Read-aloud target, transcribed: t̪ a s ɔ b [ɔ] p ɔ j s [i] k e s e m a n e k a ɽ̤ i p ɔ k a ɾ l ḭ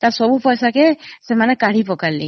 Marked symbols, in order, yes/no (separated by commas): no, no